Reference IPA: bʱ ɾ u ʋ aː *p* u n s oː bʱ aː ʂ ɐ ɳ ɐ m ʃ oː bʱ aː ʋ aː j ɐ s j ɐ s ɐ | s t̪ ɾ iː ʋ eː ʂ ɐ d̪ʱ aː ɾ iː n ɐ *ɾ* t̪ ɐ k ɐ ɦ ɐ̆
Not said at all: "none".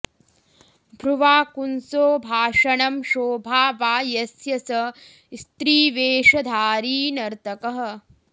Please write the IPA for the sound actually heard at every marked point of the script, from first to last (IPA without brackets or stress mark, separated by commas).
k, ɾ